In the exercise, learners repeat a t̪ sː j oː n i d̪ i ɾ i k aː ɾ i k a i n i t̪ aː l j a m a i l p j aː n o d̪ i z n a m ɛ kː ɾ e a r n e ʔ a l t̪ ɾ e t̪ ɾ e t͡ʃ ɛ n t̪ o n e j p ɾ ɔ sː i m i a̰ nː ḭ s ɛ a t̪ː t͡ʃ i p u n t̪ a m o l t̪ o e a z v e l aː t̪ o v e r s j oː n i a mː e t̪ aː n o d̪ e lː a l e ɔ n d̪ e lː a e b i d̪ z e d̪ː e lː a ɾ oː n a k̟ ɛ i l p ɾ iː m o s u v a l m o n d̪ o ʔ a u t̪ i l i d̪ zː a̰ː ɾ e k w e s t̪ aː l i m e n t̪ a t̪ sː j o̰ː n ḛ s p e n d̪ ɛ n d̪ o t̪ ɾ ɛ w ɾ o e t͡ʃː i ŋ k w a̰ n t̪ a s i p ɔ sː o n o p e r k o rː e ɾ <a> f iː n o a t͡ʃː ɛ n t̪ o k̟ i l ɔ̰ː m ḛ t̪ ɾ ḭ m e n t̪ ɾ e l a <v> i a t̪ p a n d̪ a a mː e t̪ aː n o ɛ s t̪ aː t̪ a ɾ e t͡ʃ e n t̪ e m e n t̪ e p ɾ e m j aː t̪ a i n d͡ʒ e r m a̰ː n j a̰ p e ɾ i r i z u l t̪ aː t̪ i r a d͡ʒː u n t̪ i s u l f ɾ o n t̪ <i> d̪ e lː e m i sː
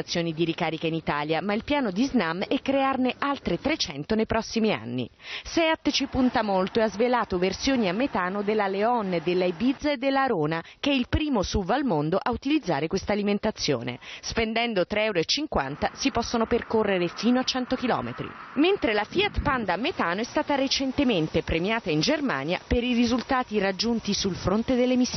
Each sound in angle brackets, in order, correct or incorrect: incorrect: e, incorrect: f, incorrect: e

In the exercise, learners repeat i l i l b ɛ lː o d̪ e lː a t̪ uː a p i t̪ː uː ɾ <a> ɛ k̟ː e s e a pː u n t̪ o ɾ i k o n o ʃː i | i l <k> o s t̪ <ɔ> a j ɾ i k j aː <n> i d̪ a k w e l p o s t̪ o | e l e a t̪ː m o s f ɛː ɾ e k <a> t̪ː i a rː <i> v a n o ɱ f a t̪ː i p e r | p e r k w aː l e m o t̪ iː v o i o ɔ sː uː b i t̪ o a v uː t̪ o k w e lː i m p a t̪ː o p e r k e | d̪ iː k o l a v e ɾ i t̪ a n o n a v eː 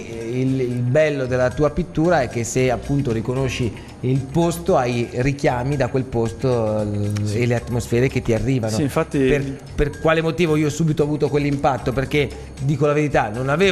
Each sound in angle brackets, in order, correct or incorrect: correct, incorrect: p, incorrect: o, incorrect: m, incorrect: e, incorrect: iː

